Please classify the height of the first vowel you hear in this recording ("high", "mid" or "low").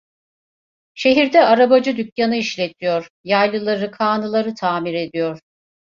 mid